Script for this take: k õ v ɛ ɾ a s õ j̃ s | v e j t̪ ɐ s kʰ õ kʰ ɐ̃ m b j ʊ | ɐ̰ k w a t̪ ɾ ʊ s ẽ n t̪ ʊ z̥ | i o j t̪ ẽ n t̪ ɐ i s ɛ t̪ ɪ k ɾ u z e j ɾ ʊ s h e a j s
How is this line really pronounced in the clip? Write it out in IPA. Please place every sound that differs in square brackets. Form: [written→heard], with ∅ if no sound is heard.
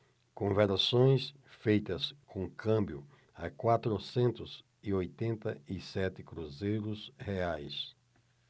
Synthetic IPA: k õ v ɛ ɾ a s õ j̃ s | [v→f] e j t̪ ɐ s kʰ õ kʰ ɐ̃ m b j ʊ | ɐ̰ k w a t̪ ɾ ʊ s ẽ n t̪ ʊ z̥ | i o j t̪ ẽ n t̪ ɐ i s ɛ t̪ ɪ k ɾ u z e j ɾ ʊ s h e a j s